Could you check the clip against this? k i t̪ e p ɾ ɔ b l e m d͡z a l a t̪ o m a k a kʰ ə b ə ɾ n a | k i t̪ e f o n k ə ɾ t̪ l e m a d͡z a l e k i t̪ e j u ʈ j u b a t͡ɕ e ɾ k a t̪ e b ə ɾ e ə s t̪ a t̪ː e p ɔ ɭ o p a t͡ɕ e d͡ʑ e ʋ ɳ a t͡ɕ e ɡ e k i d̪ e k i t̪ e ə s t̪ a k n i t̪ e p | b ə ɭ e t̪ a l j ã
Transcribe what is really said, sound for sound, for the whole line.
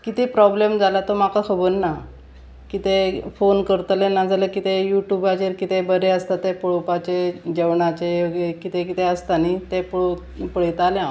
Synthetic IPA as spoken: k i t̪ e p ɾ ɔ b l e m d͡z a l a t̪ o m a k a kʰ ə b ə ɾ n a | k i t̪ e f o n k ə ɾ t̪ l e n a d͡z a l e k i t̪ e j u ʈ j u b a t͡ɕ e ɾ k i t̪ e b ə ɾ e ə s t̪ a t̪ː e p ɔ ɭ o p a t͡ɕ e d͡ʑ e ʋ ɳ a t͡ɕ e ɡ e k i t̪ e k i t̪ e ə s t̪ a n i t̪ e p | p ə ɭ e t̪ a l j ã